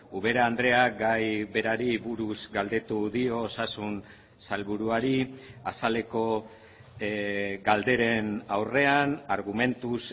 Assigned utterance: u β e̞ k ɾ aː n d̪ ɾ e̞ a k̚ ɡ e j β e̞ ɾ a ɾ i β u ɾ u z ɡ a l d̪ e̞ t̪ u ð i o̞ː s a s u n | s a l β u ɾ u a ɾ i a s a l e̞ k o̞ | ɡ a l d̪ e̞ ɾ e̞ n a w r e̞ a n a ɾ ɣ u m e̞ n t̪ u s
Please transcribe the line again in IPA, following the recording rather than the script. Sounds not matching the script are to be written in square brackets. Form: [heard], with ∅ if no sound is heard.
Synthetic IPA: u β e̞ [∅] ɾ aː n d̪ ɾ e̞ a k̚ ɡ [a] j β e̞ ɾ a ɾ i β u ɾ u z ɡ a l d̪ e̞ t̪ u ð i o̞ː s a s u n | s a l β u ɾ u a ɾ i a s a l e̞ k o̞ | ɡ a l d̪ e̞ ɾ e̞ n a w r e̞ a n a ɾ ɣ u m e̞ n t̪ u s